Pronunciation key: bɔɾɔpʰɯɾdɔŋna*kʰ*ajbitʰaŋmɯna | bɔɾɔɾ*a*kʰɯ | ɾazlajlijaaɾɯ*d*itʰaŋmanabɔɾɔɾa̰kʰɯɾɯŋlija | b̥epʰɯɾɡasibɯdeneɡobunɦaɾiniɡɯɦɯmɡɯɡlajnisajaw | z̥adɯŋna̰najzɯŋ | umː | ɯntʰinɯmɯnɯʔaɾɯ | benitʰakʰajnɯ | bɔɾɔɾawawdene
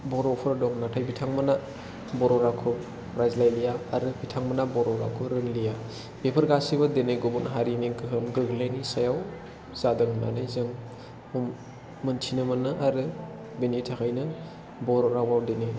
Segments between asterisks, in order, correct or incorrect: incorrect, correct, incorrect

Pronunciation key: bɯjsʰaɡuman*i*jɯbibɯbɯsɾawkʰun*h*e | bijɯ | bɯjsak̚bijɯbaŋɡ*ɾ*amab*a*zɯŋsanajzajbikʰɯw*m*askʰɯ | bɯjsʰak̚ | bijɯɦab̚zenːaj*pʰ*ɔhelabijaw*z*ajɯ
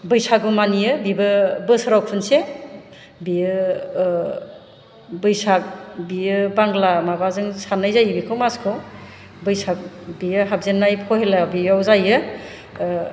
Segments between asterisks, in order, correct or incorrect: correct, incorrect, incorrect, correct, correct, correct, correct

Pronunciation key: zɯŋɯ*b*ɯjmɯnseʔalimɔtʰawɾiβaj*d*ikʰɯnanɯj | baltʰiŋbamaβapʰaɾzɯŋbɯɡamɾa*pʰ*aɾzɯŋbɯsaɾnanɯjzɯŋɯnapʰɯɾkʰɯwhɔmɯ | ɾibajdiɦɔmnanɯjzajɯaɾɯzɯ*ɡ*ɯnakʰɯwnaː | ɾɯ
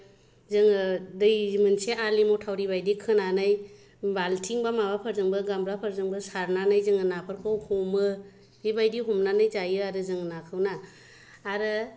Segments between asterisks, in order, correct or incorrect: incorrect, correct, correct, incorrect

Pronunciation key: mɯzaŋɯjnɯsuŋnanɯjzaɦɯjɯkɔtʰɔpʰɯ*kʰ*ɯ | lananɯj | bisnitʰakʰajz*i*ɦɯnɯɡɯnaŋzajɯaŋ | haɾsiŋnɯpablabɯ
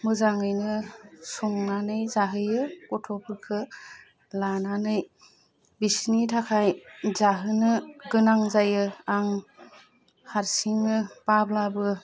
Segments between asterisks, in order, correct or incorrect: correct, incorrect

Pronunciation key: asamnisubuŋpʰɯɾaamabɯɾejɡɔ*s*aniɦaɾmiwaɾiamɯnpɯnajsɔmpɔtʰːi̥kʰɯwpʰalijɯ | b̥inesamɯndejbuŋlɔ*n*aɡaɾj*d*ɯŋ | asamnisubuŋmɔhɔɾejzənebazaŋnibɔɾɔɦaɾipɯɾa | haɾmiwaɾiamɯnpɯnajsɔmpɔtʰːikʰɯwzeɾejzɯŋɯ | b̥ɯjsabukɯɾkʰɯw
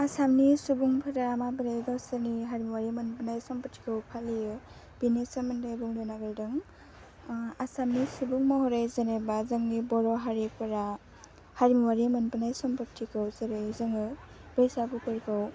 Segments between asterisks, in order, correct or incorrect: correct, correct, correct

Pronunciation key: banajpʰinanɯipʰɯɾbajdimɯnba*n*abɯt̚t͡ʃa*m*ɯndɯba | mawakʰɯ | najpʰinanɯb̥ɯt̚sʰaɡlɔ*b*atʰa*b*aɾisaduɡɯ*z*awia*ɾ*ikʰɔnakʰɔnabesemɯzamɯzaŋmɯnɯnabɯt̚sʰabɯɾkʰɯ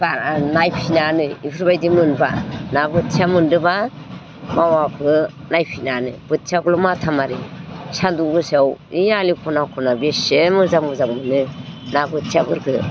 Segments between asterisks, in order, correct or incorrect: correct, correct, incorrect, incorrect, incorrect, incorrect

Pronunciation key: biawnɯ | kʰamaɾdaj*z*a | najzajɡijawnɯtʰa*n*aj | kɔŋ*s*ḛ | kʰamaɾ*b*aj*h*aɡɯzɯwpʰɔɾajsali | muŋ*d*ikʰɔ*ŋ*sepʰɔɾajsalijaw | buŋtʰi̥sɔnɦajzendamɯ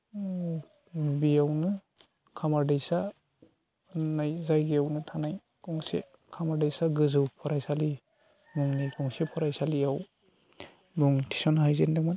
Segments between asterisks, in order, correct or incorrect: incorrect, correct, correct, incorrect, incorrect, incorrect, correct

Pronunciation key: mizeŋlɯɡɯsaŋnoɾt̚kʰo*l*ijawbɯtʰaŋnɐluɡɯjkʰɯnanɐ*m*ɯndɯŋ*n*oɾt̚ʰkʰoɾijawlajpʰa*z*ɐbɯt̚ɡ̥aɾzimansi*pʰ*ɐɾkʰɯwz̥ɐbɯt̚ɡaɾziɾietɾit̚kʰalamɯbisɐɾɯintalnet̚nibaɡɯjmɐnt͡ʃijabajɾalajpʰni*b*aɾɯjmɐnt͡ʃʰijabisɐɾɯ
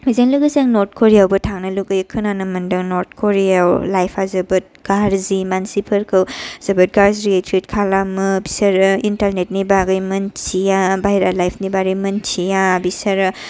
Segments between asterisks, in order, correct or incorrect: incorrect, correct, correct, correct, correct, correct

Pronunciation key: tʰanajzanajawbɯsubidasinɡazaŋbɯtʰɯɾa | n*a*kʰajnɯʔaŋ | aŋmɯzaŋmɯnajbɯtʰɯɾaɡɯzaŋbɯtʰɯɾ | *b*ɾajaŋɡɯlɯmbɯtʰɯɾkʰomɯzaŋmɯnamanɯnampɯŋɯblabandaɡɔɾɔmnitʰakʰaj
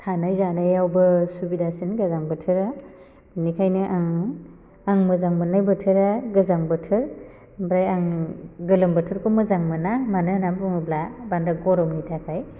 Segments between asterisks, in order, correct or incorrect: incorrect, correct

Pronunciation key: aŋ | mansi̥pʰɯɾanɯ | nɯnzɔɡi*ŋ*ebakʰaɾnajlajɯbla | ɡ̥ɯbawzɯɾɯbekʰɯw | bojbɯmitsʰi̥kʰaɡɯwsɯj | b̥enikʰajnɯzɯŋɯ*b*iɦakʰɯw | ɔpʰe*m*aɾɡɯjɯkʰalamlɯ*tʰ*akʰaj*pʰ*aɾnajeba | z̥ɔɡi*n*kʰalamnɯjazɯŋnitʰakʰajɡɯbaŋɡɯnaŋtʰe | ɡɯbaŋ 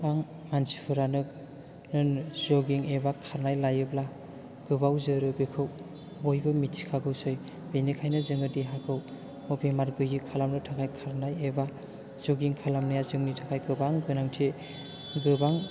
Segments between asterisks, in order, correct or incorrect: correct, incorrect, correct, correct, incorrect, incorrect

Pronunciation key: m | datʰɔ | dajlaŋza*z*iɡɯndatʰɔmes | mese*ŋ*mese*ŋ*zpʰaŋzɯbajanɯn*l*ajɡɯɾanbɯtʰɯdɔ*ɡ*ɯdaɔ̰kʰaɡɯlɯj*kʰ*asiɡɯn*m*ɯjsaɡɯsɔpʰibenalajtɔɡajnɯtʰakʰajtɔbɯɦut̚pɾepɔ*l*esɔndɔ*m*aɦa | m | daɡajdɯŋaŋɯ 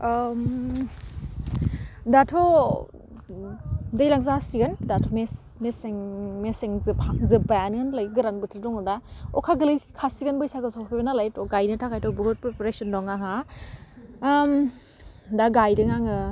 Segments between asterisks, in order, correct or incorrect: incorrect, correct, correct, correct, incorrect, correct, incorrect, incorrect, incorrect

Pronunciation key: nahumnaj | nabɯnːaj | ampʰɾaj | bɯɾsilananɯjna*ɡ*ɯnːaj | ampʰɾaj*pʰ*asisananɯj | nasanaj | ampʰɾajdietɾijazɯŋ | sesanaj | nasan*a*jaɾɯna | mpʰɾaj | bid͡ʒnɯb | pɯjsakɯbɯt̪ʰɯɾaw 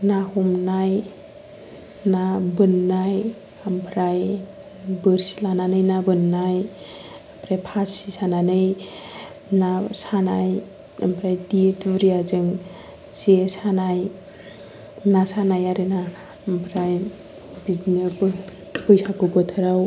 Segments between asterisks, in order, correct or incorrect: incorrect, correct, correct

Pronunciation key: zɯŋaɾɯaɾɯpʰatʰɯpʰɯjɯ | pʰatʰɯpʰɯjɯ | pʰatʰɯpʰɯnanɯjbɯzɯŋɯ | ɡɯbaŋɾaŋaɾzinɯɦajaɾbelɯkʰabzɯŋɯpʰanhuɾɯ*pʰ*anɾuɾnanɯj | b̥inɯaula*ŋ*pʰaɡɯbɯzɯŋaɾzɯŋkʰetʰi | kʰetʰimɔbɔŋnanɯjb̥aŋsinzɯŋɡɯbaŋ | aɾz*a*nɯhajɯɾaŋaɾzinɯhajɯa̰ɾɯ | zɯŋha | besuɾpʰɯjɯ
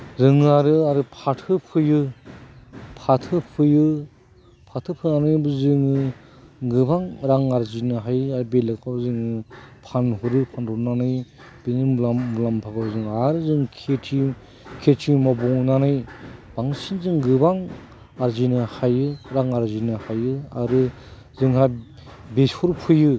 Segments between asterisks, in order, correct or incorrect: correct, incorrect, incorrect

